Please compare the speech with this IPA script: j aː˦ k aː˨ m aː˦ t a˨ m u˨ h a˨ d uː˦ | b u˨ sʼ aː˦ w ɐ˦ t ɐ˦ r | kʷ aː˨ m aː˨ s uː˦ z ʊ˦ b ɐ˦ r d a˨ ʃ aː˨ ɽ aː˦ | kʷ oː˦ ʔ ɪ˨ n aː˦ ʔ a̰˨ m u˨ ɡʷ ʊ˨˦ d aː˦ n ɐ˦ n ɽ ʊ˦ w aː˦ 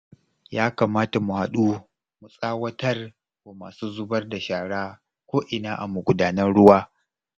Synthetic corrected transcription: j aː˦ k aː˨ m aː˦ t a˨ m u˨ h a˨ ɗ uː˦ | m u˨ sʼ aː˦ w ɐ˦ t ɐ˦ r | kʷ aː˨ m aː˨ s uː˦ z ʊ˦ b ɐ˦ r d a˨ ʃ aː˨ ɽ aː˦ | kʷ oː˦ ʔ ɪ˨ n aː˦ ʔ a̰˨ m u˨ ɡʷ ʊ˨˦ d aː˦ n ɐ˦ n ɽ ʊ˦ w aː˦